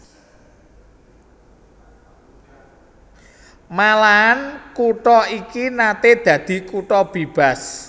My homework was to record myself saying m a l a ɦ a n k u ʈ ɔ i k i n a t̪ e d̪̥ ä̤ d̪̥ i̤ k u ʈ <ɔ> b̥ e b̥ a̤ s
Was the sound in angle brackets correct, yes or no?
yes